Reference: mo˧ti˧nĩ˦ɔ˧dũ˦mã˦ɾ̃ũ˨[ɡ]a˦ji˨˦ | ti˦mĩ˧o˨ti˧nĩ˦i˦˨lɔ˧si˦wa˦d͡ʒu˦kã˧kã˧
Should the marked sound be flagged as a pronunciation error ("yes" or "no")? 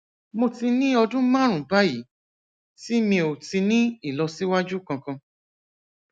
yes